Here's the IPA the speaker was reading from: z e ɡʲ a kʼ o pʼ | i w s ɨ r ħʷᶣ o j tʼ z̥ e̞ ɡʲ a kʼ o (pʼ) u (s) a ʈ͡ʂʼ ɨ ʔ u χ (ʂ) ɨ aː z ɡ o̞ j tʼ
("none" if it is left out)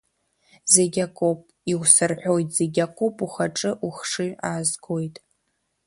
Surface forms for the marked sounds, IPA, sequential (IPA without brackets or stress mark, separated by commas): pʼ, χ, ʂ